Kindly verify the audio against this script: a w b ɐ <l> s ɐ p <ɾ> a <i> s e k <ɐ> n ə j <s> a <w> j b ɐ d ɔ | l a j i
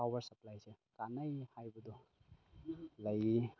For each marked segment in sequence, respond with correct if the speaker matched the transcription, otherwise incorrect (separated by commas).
incorrect, incorrect, incorrect, incorrect, incorrect, incorrect